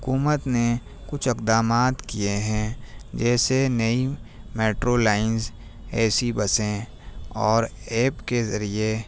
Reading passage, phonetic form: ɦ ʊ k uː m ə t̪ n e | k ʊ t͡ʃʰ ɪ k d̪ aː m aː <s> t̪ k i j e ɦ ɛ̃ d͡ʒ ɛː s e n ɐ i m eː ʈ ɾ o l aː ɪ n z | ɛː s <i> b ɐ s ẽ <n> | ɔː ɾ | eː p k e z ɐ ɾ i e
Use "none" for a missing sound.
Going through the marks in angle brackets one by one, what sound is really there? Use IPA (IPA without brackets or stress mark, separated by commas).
none, i, none